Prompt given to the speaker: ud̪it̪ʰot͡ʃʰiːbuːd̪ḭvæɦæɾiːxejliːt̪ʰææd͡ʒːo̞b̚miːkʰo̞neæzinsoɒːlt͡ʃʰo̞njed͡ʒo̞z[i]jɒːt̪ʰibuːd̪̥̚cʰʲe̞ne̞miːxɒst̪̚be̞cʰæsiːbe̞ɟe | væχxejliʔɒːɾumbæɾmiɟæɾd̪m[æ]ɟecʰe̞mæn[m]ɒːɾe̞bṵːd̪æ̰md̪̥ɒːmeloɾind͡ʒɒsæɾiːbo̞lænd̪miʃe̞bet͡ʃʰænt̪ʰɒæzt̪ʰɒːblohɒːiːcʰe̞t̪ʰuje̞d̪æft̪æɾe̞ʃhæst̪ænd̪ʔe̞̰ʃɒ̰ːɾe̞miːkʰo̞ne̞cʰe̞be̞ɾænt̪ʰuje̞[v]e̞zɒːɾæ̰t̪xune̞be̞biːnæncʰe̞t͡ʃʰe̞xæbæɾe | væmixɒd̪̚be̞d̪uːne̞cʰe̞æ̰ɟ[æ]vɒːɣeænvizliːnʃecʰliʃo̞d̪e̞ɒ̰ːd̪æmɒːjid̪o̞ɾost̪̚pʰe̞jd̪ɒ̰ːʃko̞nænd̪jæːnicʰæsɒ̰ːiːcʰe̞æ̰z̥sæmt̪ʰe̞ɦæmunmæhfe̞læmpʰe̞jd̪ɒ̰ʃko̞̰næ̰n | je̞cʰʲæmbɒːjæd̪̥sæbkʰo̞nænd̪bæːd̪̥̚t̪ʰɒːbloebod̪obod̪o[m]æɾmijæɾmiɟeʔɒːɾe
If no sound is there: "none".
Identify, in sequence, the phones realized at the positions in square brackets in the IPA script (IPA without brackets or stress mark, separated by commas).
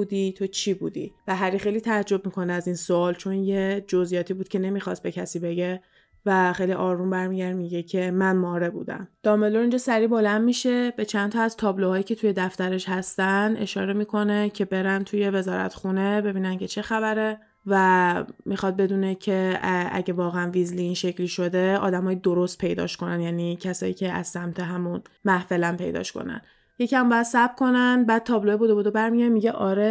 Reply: i, i, m, v, e, b